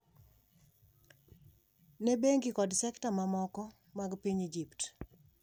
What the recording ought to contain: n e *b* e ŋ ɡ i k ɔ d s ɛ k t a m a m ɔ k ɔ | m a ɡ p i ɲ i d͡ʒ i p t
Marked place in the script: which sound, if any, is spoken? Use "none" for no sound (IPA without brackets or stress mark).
b